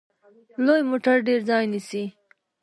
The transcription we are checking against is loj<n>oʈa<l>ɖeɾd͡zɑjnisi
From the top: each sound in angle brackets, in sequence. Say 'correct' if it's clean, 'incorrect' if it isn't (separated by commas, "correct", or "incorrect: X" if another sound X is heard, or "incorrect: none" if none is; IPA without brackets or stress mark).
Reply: incorrect: m, incorrect: ɾ